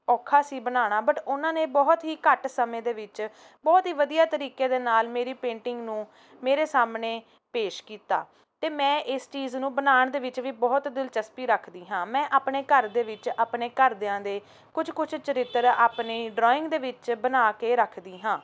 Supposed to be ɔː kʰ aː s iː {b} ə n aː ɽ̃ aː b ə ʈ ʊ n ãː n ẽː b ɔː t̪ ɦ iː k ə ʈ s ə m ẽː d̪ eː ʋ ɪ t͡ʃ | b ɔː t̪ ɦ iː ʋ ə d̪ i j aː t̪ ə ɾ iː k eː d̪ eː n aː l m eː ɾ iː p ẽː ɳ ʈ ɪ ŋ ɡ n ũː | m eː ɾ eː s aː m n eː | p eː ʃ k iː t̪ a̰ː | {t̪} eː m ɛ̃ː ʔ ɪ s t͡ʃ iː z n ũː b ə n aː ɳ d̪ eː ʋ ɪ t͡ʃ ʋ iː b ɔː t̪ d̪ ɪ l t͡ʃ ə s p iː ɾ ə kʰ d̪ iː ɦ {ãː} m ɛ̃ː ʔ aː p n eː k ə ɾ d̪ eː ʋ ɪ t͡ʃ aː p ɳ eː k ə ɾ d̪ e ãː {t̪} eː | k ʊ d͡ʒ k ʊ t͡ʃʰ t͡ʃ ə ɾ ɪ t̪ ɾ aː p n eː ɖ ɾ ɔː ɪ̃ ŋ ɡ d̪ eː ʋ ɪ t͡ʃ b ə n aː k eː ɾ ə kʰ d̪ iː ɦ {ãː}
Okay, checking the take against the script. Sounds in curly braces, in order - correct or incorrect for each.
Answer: correct, correct, correct, incorrect: d̪, correct

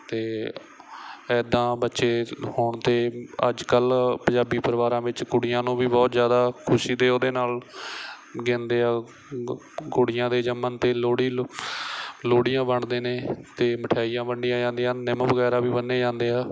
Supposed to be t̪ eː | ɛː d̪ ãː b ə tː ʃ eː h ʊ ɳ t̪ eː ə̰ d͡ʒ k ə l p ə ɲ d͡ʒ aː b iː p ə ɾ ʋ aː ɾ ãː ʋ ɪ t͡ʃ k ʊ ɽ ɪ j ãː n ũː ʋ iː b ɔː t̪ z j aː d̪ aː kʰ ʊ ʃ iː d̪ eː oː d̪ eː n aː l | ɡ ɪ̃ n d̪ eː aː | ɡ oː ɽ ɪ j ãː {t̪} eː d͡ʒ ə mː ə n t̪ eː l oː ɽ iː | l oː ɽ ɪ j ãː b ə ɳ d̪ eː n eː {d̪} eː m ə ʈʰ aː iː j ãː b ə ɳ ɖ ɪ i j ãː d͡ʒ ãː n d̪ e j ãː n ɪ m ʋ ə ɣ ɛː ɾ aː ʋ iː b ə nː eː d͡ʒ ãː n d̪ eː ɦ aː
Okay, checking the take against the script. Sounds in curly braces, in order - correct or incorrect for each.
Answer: incorrect: d̪, incorrect: t̪

